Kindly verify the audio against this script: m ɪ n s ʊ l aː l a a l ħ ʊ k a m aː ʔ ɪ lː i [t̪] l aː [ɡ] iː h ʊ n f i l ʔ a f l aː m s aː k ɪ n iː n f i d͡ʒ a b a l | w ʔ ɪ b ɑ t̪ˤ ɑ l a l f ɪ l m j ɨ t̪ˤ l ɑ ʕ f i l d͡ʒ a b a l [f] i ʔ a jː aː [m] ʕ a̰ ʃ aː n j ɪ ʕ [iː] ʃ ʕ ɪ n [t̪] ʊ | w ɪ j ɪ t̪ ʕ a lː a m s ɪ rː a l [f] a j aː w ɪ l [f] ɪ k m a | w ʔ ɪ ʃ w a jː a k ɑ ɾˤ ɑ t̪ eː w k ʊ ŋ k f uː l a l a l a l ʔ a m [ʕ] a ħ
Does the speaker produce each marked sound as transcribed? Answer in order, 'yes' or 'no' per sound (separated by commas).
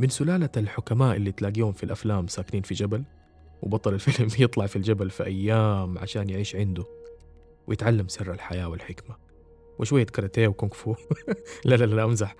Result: yes, yes, yes, yes, yes, no, no, no, no